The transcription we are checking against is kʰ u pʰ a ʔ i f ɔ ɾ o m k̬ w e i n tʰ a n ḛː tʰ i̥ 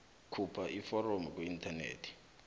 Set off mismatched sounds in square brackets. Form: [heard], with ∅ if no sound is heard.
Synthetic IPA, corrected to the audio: kʰ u pʰ a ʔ i f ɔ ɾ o m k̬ w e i n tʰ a n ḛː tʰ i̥